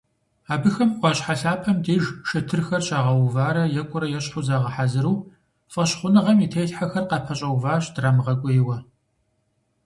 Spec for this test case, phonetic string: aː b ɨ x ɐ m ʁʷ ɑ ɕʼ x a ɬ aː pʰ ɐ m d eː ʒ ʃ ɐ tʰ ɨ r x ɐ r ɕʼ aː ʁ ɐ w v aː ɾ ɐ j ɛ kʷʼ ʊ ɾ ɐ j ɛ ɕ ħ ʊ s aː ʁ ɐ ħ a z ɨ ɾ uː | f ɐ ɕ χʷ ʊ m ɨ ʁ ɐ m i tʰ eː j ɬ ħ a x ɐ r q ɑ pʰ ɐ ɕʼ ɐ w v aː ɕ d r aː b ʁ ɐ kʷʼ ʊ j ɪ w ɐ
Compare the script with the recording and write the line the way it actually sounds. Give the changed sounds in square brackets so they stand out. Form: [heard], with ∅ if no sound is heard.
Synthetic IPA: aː b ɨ x ɐ m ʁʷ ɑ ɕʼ [ħ] a ɬ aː pʰ ɐ m d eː ʒ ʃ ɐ tʰ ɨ r x ɐ r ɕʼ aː ʁ ɐ w v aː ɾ ɐ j ɛ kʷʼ ʊ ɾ ɐ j ɛ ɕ ħ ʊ [z] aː ʁ ɐ ħ a z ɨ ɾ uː | f ɐ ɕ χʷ ʊ [n] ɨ ʁ ɐ m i tʰ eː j ɬ ħ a x ɐ r q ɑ pʰ ɐ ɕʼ ɐ w v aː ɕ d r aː [m] ʁ ɐ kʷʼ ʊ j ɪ w ɐ